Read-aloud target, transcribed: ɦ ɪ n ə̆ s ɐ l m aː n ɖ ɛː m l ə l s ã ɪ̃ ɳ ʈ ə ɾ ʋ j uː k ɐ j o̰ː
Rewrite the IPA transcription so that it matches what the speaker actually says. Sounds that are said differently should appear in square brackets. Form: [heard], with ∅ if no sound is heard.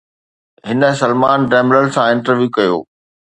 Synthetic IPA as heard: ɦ ɪ n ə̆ s ɐ l m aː n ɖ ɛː m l ə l s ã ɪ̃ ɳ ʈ ə ɾ ʋ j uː k ɐ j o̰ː